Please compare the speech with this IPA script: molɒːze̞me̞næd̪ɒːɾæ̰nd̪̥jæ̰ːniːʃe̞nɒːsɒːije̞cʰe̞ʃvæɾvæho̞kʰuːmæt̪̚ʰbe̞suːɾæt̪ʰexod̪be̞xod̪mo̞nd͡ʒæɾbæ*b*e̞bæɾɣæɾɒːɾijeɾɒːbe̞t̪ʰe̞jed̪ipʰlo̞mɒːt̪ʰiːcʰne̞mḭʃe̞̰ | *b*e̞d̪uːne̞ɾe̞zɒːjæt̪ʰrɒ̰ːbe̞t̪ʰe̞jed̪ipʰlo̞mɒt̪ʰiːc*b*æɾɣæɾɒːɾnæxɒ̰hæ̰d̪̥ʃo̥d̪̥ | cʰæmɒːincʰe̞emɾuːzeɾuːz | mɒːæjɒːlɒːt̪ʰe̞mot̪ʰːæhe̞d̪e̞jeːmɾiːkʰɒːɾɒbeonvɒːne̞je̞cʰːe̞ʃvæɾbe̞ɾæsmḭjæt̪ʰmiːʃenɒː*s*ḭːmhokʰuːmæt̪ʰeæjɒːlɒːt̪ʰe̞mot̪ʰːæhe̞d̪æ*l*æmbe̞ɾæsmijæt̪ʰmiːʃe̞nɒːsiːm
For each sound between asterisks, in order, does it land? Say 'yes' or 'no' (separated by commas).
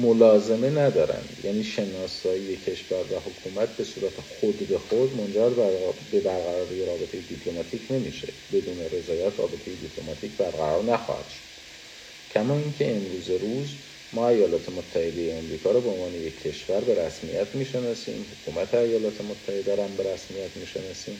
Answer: yes, yes, yes, yes, no